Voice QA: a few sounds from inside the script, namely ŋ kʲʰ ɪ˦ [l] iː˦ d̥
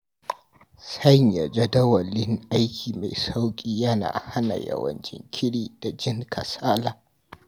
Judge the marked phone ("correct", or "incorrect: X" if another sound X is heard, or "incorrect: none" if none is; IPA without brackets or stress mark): incorrect: ɽ